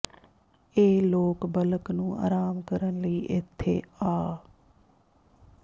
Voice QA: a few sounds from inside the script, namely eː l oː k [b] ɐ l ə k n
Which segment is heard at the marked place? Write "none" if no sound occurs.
b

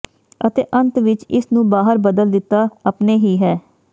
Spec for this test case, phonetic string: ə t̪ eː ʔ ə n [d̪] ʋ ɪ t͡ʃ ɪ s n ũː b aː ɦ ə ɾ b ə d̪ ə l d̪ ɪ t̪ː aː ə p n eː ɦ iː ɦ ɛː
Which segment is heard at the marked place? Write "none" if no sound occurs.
t̪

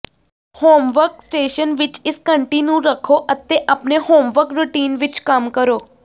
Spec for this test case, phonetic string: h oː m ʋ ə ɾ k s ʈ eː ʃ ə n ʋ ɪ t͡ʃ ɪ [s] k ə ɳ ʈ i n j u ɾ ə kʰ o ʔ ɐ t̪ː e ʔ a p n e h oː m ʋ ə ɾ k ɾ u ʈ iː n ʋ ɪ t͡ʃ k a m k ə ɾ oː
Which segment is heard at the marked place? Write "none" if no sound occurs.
s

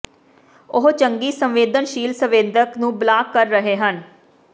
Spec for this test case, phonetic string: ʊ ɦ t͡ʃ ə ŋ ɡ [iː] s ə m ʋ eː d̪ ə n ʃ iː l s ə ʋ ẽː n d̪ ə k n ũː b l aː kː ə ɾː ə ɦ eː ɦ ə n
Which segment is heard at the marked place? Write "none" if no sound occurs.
iː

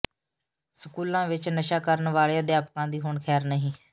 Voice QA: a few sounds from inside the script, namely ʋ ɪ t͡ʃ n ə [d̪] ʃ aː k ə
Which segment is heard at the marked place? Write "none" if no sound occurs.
none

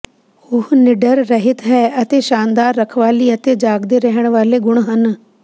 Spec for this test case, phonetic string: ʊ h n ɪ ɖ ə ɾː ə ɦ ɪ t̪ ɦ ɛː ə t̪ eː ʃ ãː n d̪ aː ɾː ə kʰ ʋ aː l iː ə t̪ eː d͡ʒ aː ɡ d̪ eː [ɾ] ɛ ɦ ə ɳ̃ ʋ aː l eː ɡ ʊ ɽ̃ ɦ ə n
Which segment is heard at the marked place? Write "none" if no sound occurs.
ɾ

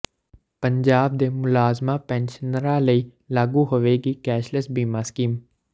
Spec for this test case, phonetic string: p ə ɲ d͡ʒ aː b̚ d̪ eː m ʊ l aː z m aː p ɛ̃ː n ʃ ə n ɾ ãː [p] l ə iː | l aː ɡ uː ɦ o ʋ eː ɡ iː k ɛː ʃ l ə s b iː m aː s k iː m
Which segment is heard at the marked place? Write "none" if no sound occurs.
none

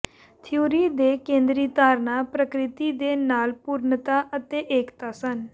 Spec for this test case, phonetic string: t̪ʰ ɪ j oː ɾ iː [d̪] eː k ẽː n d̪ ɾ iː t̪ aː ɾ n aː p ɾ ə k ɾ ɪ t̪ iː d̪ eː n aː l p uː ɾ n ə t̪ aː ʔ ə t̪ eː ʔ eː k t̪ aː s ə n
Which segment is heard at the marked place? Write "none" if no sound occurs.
d̪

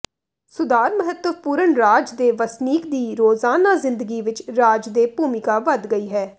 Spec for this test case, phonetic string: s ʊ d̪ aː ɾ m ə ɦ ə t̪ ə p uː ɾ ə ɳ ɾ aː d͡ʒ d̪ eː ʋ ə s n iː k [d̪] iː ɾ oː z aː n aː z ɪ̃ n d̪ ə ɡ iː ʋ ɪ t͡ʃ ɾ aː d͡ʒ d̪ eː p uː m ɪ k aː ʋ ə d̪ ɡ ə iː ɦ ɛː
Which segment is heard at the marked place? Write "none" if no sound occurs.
d̪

